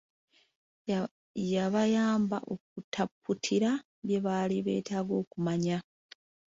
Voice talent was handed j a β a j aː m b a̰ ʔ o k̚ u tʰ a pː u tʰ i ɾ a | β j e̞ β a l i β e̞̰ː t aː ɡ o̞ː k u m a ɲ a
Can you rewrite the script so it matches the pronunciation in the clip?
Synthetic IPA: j a β a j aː m b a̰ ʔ o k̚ u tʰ a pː u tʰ i ɾ a | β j e̞ β a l i β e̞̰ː t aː ɡ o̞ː k u m a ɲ a